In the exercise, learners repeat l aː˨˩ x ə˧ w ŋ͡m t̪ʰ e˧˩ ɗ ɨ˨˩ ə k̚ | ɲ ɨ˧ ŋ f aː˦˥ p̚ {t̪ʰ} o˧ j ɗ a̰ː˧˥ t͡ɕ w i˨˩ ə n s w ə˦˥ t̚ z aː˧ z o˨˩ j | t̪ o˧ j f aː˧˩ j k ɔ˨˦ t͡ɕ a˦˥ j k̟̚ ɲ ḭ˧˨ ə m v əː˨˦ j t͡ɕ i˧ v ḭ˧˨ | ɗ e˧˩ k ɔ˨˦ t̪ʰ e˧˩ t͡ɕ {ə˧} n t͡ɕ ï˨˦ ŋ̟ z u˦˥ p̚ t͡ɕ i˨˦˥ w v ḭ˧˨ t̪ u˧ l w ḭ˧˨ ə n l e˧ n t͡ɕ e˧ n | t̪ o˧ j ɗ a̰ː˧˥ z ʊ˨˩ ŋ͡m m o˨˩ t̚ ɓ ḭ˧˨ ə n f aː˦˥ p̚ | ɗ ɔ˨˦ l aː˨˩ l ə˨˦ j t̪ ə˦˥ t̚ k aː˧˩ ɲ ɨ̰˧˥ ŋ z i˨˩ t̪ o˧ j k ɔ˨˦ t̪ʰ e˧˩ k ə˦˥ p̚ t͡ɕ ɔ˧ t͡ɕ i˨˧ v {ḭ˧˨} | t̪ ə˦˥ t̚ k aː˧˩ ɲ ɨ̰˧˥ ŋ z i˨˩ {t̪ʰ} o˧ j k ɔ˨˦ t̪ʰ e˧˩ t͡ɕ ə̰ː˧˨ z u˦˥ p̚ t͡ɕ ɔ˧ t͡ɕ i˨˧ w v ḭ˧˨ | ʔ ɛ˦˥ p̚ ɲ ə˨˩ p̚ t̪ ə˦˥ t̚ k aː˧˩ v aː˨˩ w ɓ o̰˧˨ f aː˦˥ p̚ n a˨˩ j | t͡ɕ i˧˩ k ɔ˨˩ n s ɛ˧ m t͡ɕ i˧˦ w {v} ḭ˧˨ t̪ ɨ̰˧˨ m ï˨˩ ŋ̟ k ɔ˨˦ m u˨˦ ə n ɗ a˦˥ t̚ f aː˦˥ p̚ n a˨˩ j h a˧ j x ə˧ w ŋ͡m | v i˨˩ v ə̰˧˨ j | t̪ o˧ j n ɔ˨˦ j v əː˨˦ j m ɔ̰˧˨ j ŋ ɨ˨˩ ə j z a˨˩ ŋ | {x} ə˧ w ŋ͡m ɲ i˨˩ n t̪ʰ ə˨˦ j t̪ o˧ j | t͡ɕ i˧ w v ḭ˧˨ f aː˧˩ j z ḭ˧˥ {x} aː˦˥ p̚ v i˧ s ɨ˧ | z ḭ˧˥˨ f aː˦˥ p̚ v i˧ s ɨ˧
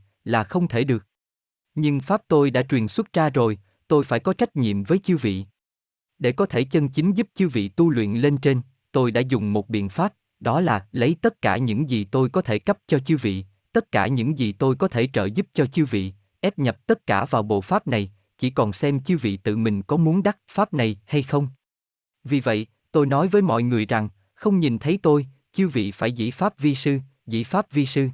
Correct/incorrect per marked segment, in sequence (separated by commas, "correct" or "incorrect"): incorrect, correct, correct, incorrect, correct, correct, incorrect